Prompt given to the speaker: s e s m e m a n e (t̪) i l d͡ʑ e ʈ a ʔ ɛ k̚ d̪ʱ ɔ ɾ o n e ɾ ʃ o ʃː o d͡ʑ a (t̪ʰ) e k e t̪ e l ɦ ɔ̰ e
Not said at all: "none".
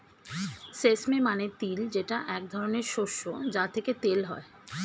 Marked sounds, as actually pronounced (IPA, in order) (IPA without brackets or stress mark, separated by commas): t̪, t̪ʰ